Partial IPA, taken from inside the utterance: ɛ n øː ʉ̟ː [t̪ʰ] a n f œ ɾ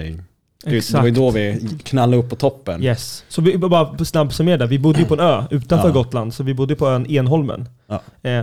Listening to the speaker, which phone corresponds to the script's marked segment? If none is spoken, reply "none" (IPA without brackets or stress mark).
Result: t̪